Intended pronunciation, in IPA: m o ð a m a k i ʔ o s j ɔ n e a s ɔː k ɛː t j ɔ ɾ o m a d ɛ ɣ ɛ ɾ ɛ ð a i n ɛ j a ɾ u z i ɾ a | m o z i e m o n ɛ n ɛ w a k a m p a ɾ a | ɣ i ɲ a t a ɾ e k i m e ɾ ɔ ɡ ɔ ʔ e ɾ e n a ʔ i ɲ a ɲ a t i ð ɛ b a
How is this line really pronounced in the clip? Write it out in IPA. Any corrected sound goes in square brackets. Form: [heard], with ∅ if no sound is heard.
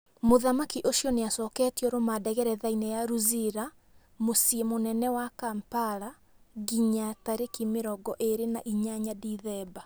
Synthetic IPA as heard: m o ð a m a k i ʔ o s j ɔ n e a s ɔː k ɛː t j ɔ ɾ o m a d ɛ ɣ ɛ ɾ ɛ ð a i n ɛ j a ɾ u z i ɾ a | m o [s] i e m o n ɛ n ɛ w a k a m p a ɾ a | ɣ i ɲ a t a ɾ e k i m e ɾ ɔ ɡ ɔ ʔ e ɾ e n a ʔ i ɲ a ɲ a [d] i ð ɛ b a